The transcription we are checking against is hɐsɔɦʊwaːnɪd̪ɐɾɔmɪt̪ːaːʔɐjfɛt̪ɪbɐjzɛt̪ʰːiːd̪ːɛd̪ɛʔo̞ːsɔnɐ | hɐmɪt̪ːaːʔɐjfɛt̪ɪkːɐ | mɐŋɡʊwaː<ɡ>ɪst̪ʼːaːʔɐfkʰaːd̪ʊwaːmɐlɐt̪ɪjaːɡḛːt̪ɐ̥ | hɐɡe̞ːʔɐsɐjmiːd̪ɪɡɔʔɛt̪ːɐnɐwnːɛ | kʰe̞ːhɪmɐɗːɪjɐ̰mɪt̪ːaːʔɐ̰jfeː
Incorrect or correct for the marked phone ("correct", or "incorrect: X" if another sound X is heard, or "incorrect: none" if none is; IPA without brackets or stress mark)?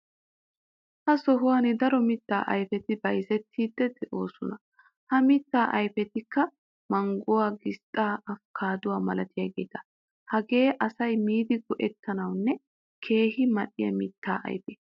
correct